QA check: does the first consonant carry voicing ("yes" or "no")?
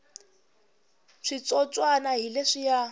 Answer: no